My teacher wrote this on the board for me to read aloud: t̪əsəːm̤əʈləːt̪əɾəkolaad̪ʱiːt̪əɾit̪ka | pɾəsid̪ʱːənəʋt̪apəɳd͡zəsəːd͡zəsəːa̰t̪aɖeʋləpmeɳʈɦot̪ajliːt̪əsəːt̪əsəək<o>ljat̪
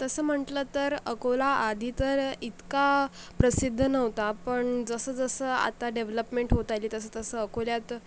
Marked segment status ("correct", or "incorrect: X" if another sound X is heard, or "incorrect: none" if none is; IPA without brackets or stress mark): correct